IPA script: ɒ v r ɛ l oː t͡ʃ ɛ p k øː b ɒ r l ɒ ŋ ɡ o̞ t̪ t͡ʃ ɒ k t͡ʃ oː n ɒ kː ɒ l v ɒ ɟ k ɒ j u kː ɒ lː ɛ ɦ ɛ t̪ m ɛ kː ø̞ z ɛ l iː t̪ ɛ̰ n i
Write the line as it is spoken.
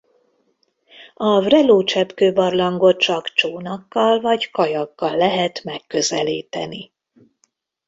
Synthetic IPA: ɒ v r ɛ l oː t͡ʃ ɛ p k øː b ɒ r l ɒ ŋ ɡ o̞ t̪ t͡ʃ ɒ k t͡ʃ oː n ɒ kː ɒ l v ɒ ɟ k ɒ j ɒ kː ɒ lː ɛ ɦ ɛ t̪ m ɛ kː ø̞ z ɛ l iː t̪ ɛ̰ n i